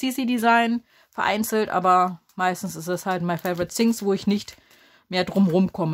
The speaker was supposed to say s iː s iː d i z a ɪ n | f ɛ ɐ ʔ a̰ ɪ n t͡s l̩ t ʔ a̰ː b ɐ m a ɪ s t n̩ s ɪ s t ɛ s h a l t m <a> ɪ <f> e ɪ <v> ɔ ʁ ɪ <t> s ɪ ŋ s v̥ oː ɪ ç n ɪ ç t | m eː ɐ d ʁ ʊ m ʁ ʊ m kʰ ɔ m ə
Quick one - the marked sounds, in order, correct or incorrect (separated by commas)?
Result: correct, correct, correct, correct